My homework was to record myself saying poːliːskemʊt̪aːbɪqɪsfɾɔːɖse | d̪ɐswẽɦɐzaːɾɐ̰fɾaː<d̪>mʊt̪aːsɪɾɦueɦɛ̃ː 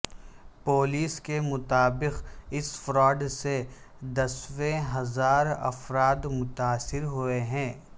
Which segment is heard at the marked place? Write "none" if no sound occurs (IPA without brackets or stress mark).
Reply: d̪